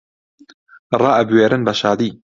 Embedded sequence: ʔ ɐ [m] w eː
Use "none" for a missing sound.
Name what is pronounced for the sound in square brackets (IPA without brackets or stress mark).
b